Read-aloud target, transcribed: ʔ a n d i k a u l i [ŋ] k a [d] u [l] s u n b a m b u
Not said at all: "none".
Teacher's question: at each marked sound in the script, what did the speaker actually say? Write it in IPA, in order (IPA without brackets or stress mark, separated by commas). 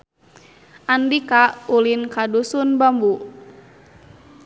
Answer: n, d, none